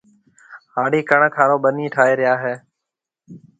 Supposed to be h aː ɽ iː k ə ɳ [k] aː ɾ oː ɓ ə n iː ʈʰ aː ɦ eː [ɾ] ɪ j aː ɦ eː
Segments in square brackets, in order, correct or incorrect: incorrect: kʰ, correct

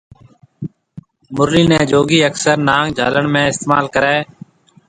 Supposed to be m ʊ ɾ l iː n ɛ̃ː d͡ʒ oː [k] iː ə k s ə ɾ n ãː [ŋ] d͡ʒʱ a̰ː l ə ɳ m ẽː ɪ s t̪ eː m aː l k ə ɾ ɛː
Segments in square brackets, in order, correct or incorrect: incorrect: ɡ, correct

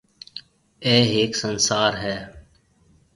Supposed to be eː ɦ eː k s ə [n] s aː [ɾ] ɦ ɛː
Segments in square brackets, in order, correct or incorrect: correct, correct

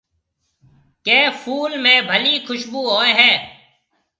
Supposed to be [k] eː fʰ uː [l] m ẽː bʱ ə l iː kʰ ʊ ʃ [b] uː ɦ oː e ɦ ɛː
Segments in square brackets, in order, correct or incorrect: correct, correct, correct

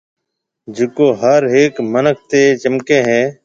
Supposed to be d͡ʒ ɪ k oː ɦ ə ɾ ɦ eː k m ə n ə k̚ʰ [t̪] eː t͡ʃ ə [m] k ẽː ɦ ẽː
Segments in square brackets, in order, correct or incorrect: correct, correct

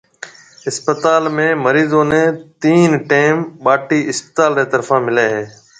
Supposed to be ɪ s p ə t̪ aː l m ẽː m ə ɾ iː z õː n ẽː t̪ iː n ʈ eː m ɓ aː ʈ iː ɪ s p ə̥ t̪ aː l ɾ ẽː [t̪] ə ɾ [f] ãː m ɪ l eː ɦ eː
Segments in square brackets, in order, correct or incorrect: correct, correct

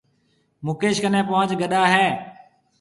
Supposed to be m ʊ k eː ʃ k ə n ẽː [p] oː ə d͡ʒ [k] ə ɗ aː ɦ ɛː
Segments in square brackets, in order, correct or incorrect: correct, incorrect: ɡ

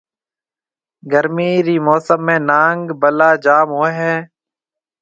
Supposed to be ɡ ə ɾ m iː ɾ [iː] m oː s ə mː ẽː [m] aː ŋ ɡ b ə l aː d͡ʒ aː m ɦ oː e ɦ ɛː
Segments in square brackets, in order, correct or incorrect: correct, incorrect: n

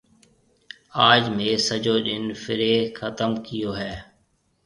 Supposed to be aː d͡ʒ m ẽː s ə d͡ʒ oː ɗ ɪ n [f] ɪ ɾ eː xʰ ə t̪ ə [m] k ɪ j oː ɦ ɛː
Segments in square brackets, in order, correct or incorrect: correct, correct

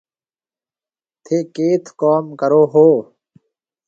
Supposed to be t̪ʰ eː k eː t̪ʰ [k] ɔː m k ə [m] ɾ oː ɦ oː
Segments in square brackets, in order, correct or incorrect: correct, incorrect: none

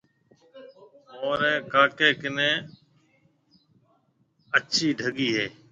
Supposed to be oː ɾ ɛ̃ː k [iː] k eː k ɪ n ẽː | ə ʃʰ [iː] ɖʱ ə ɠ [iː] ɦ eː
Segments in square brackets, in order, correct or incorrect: incorrect: aː, correct, correct

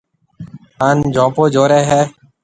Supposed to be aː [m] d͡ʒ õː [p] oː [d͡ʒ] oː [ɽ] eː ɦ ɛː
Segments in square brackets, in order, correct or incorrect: incorrect: n, correct, correct, incorrect: ɾ

